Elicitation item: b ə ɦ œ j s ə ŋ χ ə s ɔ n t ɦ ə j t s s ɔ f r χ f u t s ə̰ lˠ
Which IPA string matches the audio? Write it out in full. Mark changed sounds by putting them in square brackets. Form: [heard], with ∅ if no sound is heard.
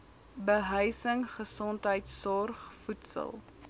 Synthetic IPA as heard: b ə ɦ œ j s ə ŋ χ ə s ɔ n t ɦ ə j t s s ɔ [∅] r χ f u t s ə̰ lˠ